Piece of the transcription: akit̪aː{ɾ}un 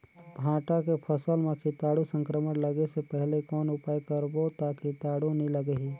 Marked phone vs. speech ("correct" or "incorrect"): incorrect